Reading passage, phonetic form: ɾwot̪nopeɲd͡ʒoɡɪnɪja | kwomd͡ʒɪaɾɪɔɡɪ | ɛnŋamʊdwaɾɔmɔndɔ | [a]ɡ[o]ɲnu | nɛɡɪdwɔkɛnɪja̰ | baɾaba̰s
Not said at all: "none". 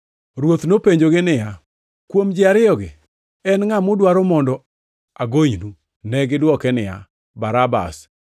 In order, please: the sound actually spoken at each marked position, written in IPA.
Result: a, o

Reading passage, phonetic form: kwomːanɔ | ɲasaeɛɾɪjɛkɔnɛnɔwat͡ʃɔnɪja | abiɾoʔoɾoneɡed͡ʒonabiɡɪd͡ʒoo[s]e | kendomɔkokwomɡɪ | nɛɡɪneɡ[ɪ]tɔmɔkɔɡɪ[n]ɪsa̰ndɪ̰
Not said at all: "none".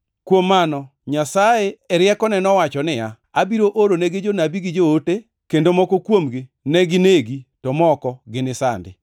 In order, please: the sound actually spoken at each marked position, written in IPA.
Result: t, i, n

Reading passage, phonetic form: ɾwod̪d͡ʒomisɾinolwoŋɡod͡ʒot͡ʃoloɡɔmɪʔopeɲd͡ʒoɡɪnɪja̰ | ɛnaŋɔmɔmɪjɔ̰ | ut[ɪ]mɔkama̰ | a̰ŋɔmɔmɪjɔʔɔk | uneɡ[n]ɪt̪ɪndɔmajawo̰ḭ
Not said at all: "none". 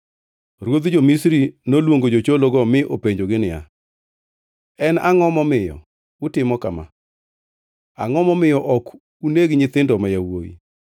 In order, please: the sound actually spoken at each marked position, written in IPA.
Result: ɪ, ɲ

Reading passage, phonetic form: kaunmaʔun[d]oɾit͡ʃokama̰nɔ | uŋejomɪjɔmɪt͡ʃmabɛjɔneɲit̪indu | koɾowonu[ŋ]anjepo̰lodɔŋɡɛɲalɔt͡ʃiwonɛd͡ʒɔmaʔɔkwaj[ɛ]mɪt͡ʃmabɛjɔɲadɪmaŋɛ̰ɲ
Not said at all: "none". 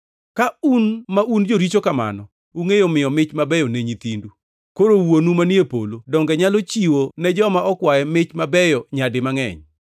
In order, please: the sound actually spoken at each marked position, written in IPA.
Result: d͡ʒ, m, ɛ

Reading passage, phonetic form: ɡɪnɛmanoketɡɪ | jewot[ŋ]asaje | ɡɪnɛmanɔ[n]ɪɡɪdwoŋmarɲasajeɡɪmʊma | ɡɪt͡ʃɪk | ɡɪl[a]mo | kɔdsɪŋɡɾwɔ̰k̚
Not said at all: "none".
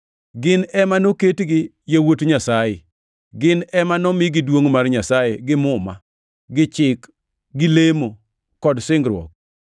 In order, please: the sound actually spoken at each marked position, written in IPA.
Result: ɲ, m, e

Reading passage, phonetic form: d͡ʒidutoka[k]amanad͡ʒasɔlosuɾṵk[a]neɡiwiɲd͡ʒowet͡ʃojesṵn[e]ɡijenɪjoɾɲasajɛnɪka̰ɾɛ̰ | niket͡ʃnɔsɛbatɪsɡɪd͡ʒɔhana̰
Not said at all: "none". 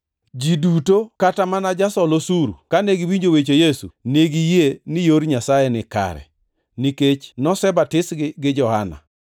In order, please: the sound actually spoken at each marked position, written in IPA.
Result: t, a, e

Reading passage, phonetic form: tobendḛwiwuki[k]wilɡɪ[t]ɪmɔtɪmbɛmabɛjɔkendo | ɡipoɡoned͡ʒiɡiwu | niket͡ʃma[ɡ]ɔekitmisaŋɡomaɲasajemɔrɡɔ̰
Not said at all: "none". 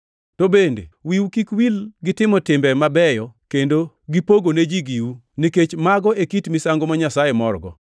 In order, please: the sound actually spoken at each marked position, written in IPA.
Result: k, t, ɡ

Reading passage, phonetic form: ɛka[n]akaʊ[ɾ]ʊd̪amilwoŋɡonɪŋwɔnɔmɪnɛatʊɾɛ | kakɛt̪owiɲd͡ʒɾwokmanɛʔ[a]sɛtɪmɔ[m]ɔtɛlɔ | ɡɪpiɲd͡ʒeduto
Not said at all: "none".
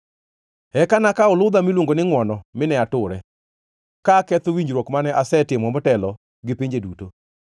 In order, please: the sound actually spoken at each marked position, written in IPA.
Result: n, l, a, m

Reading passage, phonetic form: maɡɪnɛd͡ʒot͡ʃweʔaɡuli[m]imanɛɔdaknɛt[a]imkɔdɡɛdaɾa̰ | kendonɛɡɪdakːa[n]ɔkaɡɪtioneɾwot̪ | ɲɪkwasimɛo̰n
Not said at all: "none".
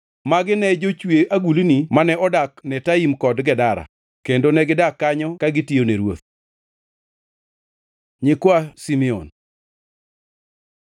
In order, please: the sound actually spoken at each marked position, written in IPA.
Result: n, a, ɲ

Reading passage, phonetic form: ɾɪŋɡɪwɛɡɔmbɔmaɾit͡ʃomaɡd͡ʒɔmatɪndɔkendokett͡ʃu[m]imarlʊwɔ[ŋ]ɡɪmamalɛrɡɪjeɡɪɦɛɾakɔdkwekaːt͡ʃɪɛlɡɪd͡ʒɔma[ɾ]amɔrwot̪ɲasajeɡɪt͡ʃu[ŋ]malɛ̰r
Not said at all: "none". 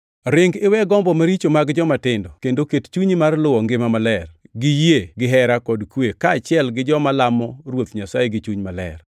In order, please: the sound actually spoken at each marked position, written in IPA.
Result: ɲ, ŋ, l, ɲ

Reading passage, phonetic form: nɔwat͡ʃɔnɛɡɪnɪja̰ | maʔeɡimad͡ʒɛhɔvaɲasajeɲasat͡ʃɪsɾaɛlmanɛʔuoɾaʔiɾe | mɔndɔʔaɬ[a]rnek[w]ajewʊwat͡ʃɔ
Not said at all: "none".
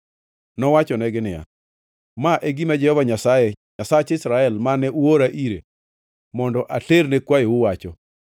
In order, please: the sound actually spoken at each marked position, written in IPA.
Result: e, w

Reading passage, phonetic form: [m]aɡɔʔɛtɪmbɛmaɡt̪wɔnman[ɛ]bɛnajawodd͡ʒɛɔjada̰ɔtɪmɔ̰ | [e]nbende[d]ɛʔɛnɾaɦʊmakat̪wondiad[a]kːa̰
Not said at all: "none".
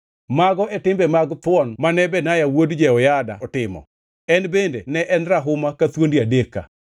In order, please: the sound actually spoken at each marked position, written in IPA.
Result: m, ɛ, ɛ, n, e

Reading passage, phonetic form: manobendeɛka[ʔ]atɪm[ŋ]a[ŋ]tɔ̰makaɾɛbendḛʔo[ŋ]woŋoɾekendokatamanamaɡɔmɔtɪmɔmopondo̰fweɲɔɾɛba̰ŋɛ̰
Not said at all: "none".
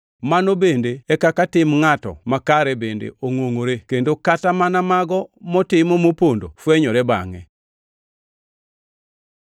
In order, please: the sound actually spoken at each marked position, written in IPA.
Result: k, ŋ, none, ŋ

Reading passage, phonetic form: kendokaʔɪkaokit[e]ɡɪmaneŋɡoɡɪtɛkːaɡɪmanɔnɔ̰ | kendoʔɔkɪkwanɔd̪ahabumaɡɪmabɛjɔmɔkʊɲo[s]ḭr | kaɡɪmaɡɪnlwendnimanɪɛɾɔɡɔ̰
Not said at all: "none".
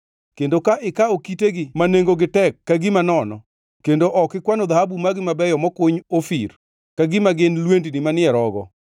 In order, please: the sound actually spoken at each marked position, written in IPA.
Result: e, f

